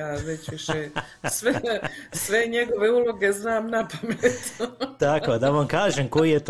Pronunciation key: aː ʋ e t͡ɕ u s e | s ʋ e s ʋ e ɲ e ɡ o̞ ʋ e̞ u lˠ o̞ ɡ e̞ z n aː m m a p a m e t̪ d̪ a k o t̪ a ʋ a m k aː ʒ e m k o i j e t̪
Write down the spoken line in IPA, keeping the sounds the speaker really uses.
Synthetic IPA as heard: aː ʋ e t͡ɕ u ʃ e | s ʋ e s ʋ e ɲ e ɡ o̞ ʋ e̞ u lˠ o̞ ɡ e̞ z n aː m n a p a m e t̪ t̪ a k o d̪ a ʋ a m k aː ʒ e m k o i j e t̪